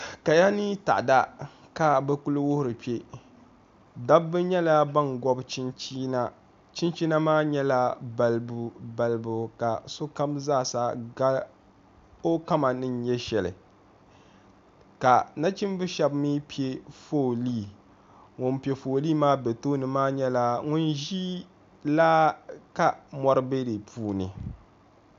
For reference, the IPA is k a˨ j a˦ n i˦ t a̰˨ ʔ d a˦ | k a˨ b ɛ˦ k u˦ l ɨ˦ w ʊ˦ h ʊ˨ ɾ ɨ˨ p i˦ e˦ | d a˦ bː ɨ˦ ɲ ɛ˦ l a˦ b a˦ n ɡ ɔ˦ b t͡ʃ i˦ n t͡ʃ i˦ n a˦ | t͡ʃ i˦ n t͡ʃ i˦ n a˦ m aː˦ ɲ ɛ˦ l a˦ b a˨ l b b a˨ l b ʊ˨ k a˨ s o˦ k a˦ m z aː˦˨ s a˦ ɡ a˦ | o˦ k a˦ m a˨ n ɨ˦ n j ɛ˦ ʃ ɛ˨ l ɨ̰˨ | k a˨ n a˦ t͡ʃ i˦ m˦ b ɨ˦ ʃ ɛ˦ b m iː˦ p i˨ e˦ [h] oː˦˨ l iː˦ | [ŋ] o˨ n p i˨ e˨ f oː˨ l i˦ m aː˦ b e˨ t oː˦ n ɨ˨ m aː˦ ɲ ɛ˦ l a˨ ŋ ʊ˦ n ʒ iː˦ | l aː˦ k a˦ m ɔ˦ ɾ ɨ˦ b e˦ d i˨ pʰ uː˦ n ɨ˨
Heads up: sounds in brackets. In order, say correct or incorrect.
incorrect: f, correct

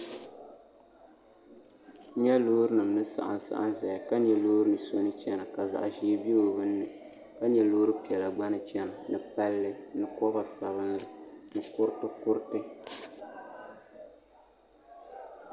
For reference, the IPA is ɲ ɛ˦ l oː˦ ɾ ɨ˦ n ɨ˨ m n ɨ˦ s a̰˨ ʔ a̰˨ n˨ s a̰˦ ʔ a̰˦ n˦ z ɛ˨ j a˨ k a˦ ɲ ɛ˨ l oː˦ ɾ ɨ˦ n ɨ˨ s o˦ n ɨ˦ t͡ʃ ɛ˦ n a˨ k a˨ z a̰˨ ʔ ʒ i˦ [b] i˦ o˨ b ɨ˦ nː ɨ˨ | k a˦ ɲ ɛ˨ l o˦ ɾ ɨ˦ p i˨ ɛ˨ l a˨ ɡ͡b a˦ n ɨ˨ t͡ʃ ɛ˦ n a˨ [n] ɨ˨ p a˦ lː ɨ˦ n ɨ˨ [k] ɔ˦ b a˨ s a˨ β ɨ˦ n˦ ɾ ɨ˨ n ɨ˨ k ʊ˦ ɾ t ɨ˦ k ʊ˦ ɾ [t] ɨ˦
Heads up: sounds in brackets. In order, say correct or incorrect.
correct, correct, correct, correct

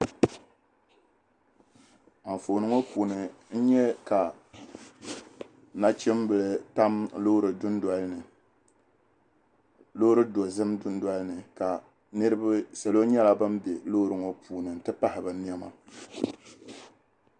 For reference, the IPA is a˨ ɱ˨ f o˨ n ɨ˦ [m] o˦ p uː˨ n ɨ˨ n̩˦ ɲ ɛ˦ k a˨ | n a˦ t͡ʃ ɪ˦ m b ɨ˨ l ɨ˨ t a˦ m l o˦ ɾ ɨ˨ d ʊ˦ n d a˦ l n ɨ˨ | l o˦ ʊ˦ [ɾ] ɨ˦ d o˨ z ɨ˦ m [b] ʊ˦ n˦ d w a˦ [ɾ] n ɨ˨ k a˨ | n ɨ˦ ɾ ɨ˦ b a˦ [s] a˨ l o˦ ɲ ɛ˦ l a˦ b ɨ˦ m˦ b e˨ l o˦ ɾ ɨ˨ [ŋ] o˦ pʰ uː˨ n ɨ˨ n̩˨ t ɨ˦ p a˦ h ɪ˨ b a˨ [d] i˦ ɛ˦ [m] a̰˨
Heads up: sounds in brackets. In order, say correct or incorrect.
incorrect: ŋ, correct, incorrect: d, incorrect: l, correct, correct, incorrect: n, correct

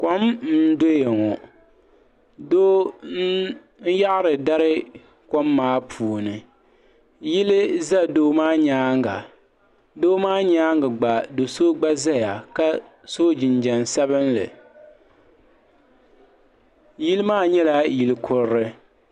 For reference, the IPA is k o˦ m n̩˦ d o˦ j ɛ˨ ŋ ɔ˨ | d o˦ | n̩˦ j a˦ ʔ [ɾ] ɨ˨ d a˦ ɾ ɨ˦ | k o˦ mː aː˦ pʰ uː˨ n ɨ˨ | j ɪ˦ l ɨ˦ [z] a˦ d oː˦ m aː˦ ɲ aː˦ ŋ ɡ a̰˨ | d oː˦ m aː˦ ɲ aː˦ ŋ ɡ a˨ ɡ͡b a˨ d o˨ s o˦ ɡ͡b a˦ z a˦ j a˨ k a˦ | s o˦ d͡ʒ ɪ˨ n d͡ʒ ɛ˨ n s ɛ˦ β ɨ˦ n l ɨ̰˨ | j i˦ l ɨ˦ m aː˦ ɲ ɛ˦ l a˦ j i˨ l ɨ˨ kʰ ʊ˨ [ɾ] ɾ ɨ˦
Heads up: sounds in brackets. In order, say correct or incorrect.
correct, correct, correct

